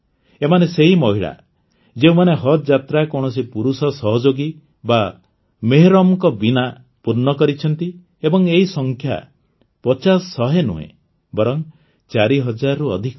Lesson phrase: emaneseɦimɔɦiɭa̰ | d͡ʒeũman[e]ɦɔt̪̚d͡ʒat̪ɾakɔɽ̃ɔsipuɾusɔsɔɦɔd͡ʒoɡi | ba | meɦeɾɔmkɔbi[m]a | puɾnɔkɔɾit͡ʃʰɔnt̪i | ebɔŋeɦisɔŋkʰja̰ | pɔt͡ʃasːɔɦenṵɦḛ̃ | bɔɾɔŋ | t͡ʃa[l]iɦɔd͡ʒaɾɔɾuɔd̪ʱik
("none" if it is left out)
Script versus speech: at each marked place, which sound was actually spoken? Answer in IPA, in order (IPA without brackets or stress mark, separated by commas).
e, n, ɾ